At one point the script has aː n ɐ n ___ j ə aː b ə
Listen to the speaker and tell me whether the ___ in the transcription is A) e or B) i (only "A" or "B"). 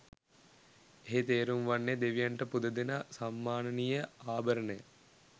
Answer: B